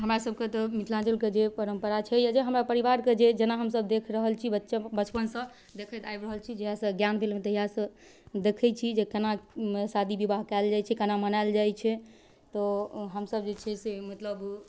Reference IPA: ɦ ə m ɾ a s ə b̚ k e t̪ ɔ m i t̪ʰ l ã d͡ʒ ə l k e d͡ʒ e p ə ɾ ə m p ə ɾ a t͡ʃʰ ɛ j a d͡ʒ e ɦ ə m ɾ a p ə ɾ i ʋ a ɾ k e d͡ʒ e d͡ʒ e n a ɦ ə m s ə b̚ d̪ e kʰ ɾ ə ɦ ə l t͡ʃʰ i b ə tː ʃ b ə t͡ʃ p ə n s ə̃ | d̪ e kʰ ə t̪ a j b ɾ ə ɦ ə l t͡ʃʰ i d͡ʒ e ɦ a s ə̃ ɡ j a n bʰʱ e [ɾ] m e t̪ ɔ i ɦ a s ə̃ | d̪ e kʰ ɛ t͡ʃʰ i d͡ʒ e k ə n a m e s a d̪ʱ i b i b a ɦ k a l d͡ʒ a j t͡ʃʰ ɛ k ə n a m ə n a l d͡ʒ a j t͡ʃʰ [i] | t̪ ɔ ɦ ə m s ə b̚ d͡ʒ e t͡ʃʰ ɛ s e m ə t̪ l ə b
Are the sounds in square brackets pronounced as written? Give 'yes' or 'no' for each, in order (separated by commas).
no, no